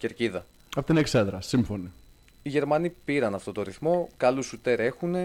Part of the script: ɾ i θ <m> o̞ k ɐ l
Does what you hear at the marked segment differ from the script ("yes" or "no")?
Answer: no